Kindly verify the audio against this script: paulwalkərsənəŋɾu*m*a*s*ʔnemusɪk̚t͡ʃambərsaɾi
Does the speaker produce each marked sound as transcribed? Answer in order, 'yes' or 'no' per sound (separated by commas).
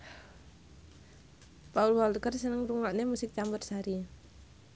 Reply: no, no